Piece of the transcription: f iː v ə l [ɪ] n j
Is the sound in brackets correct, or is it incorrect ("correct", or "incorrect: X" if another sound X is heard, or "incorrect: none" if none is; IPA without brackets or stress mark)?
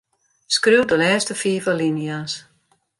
incorrect: i